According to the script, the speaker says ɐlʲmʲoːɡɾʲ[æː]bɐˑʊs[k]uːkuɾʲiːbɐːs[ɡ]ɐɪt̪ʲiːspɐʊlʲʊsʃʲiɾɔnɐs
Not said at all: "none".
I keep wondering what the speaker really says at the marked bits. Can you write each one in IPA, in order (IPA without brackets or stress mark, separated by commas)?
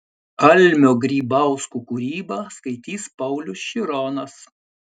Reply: iː, k, k